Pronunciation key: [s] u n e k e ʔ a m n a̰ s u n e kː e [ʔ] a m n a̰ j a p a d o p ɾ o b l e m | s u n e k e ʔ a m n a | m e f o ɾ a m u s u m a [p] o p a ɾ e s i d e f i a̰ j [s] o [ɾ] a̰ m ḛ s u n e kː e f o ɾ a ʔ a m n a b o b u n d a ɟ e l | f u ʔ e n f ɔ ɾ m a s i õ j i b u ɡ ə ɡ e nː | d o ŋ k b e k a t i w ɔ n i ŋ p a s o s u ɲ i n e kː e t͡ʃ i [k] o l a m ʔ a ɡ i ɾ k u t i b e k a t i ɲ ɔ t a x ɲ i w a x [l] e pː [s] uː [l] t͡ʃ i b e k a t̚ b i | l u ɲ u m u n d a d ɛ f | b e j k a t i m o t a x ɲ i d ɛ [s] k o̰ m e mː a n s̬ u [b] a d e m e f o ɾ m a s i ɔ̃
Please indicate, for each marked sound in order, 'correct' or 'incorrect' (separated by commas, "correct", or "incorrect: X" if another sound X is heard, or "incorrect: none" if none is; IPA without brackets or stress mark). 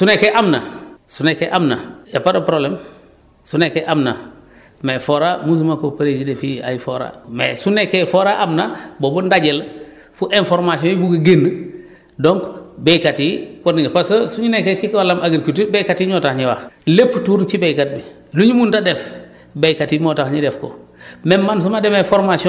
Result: correct, correct, incorrect: k, incorrect: f, correct, correct, correct, incorrect: t, incorrect: ɾ, incorrect: f, incorrect: m